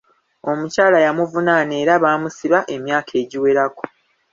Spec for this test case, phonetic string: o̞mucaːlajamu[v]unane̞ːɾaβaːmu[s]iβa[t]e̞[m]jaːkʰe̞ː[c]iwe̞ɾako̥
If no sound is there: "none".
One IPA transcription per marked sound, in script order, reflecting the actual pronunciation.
v, s, ʔ, m, ɟ

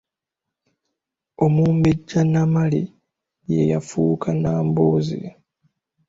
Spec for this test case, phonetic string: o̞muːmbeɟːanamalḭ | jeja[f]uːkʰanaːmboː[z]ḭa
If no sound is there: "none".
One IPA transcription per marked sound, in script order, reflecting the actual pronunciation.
f, z

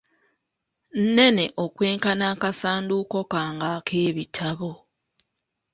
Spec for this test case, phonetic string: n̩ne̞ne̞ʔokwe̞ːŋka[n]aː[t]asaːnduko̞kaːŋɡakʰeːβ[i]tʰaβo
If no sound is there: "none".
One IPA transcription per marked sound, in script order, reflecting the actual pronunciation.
n, k, i

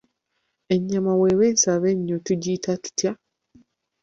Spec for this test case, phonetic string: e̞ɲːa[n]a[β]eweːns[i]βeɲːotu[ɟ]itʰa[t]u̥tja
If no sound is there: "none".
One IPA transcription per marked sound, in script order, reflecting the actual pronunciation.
m, w, a, ɟ, t

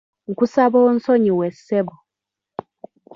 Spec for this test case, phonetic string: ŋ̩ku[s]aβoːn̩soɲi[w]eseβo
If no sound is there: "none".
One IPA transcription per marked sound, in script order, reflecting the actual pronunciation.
s, w

